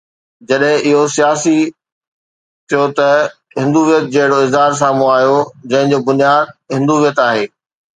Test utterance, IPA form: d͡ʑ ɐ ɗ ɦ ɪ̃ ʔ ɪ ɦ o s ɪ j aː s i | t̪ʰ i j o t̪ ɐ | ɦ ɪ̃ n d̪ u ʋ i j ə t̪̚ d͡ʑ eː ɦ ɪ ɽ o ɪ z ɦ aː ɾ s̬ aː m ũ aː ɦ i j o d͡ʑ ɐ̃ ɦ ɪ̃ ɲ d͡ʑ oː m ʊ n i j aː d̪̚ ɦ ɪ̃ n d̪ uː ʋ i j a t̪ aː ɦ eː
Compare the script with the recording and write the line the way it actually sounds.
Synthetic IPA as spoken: d͡ʑ ɐ ɗ ɦ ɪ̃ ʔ ɪ ɦ o s i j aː s i | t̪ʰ i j o t̪ ɐ | ɦ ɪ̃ n d̪ u ʋ i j ə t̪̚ d͡ʑ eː ɦ ɪ ɽ o ɪ z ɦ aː ɾ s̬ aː m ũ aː ɦ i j o d͡ʑ ɐ̃ ɦ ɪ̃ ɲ d͡ʑ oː b ʊ n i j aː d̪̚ ɦ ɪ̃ n d̪ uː ʋ i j ə t̪ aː ɦ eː